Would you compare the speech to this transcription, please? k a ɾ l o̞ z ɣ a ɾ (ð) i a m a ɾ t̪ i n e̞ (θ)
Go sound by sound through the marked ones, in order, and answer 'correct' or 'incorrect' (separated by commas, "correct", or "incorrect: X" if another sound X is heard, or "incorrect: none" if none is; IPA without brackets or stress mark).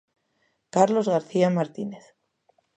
incorrect: θ, correct